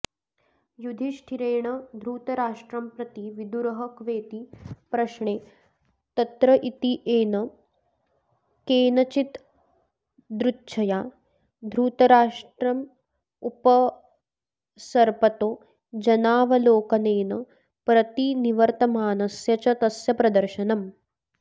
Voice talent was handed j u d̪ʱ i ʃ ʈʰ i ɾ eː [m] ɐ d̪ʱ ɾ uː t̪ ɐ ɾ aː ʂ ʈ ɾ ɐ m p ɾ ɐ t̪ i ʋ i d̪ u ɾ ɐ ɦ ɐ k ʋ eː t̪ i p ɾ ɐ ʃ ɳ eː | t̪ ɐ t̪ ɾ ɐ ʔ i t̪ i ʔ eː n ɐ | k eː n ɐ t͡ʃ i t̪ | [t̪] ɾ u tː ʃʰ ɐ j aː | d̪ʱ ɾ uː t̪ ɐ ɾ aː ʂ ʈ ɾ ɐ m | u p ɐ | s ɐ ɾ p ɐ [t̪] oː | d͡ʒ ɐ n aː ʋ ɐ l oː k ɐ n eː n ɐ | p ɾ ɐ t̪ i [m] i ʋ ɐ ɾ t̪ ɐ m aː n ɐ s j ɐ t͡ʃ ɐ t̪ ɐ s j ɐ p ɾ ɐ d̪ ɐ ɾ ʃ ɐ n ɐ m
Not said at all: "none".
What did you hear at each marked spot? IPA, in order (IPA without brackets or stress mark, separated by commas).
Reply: ɳ, d̪, t̪, n